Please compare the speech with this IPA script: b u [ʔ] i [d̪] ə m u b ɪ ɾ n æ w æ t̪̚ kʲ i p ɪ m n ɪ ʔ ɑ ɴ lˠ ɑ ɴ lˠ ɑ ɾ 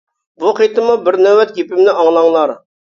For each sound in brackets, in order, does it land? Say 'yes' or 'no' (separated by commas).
no, no